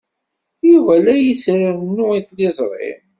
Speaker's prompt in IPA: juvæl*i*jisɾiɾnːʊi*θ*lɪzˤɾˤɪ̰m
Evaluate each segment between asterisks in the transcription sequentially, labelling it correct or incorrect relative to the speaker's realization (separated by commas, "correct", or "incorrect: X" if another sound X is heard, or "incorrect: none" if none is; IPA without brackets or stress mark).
incorrect: æ, correct